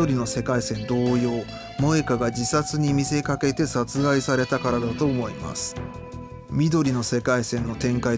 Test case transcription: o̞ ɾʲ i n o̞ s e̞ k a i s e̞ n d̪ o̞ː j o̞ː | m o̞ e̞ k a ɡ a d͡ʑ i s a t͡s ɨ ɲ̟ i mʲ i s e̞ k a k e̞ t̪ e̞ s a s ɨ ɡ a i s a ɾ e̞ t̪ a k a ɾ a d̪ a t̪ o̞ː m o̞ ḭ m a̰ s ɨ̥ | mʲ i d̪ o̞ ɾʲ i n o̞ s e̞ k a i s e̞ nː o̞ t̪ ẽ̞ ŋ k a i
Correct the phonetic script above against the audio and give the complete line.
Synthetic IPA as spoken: o̞ ɾʲ i n o̞ s e̞ k a i s ẽ̞ n d̪ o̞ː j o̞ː | m o̞ e̞ k a ɡ a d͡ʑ i s a t͡s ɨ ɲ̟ i mʲ i s e̞ k a k e̞ t̪ e̞ s a t͡s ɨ ɡ a i s a ɾ e̞ t̪ a k a ɾ a d̪ a t̪ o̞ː m o̞ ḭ m a̰ s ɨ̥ | mʲ i d̪ o̞ ɾʲ i n o̞ s e̞ k a i s ẽ̞ nː o̞ t̪ ẽ̞ ŋ k a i